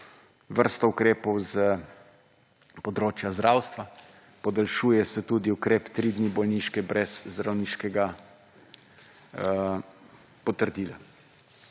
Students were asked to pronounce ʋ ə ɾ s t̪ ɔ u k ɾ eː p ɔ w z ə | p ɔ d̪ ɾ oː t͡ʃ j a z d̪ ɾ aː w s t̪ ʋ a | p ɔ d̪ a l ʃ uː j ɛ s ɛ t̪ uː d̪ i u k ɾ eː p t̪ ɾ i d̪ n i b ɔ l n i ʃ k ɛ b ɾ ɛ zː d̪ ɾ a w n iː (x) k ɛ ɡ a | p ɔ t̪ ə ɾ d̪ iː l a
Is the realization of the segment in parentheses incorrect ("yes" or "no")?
yes